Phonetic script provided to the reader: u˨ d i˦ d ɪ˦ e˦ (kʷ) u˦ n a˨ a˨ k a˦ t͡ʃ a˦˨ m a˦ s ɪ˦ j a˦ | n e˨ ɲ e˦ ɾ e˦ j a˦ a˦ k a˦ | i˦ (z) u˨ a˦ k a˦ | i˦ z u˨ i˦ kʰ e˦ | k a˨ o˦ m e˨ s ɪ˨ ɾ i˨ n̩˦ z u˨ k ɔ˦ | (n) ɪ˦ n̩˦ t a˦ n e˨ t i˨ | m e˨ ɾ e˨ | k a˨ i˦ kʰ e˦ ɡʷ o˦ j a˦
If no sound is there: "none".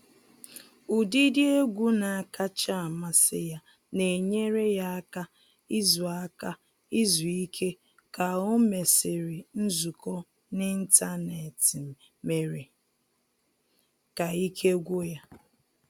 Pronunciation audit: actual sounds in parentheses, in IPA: ɡʷ, z, n

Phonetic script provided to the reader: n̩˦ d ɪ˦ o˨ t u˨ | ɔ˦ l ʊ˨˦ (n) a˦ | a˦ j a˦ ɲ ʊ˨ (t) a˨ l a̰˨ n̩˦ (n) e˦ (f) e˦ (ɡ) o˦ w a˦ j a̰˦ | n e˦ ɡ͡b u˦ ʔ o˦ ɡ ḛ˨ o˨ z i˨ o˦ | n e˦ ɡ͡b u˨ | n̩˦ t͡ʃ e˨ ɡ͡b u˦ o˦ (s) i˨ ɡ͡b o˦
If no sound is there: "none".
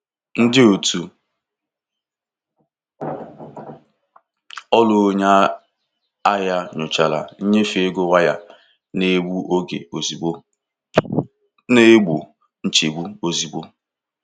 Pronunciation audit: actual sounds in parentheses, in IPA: ɲ, t͡ʃ, ɲ, f, ɡ, z

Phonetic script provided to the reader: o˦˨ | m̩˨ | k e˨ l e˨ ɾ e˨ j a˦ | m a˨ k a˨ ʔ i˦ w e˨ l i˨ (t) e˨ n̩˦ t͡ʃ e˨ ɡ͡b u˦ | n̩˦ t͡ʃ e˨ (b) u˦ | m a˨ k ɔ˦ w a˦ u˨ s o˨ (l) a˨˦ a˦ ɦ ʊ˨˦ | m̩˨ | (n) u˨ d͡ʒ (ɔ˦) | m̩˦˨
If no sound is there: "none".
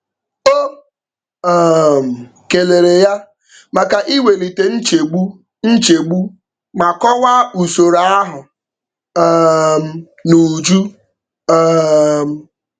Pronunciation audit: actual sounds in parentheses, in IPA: t, ɡ͡b, ɾ, n, u˦

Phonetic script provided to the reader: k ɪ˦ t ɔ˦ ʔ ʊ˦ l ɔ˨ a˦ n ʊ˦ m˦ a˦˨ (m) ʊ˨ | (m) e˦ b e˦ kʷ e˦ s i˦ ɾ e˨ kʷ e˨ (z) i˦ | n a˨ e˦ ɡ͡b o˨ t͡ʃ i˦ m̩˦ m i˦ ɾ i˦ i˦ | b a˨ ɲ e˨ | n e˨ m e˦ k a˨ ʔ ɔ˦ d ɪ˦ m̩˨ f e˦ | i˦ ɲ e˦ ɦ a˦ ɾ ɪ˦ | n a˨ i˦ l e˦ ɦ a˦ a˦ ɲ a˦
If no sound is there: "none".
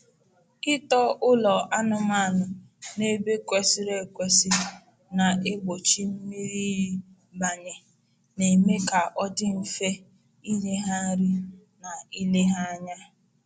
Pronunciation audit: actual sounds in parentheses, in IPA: n, n, s

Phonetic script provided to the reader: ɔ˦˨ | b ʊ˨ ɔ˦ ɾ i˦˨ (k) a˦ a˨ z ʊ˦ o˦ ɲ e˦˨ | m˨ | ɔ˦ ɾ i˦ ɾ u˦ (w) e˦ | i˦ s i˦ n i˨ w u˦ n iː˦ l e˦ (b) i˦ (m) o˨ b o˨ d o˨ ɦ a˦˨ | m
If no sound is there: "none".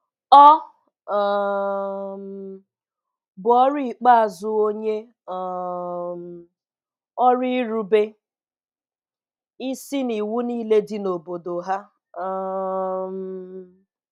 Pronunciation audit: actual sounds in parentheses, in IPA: k͡p, b, d, n

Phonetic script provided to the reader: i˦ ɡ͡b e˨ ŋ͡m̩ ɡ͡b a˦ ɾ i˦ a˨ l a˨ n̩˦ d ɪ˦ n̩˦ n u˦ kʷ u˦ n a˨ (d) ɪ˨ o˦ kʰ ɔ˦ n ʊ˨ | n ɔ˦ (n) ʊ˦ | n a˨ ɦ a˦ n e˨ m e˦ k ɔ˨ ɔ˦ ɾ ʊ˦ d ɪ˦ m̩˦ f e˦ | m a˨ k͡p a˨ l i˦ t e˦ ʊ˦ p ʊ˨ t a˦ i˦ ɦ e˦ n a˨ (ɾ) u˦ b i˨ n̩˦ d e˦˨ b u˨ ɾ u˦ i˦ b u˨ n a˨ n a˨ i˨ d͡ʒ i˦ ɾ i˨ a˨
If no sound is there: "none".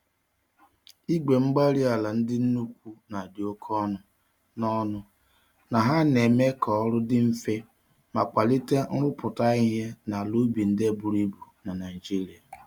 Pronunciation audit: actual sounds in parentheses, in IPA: d, n, l

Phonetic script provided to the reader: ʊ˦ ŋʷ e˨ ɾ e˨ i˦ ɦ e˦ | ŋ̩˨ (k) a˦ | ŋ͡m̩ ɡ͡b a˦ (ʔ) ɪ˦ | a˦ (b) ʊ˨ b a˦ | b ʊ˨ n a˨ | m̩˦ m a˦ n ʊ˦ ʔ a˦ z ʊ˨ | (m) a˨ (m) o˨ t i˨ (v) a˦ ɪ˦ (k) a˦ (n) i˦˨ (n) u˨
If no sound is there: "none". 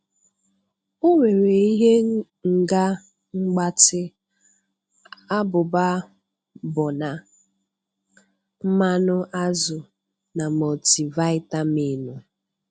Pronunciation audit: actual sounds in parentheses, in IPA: ɡ, t, b, n, m, v, t, m, n

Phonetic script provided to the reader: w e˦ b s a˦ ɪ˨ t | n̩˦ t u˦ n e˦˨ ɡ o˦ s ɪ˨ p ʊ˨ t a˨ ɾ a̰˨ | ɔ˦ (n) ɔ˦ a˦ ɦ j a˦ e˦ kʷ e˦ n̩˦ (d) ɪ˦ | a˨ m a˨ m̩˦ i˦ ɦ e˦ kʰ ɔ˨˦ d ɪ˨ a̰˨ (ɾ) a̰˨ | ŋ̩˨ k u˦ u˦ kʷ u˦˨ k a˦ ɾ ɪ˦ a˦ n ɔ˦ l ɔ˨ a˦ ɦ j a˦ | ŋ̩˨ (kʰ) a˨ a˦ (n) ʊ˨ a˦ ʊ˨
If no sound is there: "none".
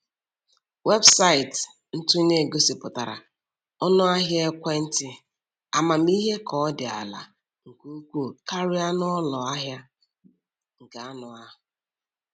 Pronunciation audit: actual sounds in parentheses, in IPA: n, t, l, k, n

